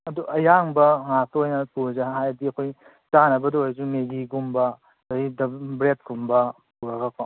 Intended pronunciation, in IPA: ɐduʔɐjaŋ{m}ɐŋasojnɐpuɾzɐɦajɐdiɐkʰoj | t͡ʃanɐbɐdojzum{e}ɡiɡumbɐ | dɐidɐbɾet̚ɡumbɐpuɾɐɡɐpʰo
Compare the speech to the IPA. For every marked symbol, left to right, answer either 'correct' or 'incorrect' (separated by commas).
incorrect, correct